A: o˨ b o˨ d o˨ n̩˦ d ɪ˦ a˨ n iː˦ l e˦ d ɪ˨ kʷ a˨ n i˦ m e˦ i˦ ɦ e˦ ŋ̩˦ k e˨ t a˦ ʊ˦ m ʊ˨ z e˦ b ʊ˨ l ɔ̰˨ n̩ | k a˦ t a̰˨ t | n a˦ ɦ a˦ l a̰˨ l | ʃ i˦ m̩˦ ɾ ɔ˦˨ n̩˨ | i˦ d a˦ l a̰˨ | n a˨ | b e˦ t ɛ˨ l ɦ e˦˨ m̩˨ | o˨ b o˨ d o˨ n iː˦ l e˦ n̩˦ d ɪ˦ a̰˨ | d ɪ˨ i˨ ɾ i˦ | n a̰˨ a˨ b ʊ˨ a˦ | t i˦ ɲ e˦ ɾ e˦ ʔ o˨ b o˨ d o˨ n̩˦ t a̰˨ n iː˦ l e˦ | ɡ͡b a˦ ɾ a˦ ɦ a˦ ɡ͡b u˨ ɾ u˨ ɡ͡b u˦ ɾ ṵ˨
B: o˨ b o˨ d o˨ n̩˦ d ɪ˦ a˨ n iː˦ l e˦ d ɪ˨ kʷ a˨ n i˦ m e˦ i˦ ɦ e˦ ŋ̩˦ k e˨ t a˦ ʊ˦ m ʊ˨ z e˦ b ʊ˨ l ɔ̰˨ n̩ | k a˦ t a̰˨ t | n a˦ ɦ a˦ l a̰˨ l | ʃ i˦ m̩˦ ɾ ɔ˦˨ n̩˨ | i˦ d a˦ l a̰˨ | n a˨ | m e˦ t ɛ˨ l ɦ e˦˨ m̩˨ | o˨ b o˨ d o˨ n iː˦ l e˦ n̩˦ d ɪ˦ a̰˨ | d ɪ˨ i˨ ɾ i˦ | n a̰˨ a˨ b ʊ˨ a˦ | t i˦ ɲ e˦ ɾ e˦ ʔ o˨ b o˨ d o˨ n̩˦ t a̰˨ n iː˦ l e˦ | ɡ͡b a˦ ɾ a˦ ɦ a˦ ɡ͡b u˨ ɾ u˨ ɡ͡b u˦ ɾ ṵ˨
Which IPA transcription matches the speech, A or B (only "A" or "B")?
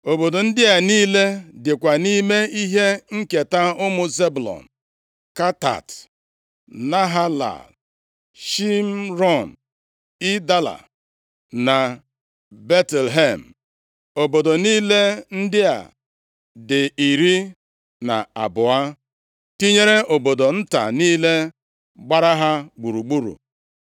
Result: A